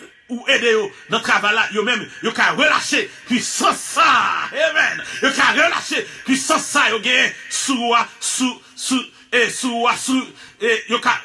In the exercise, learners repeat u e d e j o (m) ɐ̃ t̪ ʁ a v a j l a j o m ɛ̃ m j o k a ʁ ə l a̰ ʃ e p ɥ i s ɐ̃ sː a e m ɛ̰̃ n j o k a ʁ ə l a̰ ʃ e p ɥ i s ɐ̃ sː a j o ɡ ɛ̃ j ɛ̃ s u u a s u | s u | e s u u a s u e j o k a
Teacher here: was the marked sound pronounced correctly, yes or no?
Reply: no